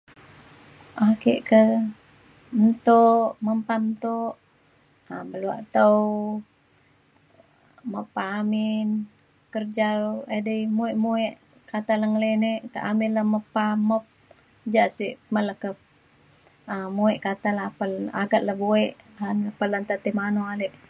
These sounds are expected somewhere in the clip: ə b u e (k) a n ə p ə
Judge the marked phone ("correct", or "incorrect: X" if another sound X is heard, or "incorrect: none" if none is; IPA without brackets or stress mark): incorrect: ʔ